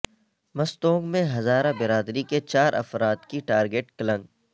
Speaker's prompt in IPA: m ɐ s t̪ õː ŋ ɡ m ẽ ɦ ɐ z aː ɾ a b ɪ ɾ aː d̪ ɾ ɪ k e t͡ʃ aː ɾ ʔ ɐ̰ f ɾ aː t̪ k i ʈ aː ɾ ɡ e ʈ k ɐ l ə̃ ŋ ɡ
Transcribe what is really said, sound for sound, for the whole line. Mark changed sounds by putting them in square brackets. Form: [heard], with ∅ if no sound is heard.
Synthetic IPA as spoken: m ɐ s t̪ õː ŋ ɡ m ẽ ɦ ɐ z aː ɾ a b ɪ ɾ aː d̪ ɾ [i] k e t͡ʃ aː ɾ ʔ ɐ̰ f ɾ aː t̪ k i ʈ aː ɾ ɡ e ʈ k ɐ l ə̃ ŋ ɡ